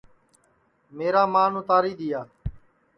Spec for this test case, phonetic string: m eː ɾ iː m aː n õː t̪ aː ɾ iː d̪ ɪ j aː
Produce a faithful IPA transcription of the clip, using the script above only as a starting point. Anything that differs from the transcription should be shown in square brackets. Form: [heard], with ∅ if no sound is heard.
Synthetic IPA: m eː ɾ [aː] m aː n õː t̪ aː ɾ iː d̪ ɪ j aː